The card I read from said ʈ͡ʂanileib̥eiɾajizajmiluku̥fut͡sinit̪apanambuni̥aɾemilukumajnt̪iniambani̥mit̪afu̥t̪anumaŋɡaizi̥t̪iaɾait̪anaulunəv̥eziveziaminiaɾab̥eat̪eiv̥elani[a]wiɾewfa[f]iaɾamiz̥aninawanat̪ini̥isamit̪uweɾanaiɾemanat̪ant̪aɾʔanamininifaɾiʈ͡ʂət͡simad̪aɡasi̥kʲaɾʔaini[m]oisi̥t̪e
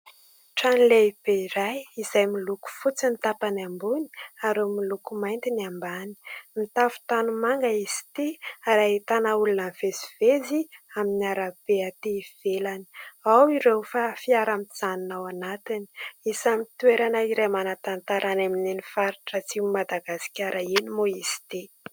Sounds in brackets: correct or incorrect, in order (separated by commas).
correct, correct, correct